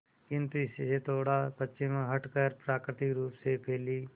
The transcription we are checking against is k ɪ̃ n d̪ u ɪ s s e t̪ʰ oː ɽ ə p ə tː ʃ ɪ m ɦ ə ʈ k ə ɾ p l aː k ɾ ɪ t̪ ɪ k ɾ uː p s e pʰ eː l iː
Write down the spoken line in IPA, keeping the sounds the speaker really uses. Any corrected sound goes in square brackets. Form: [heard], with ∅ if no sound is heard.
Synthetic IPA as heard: k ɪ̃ n [t̪] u ɪ s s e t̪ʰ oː ɽ [a] p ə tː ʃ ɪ m ɦ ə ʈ k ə ɾ p [ɾ] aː k ɾ ɪ t̪ ɪ k ɾ uː p s e pʰ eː l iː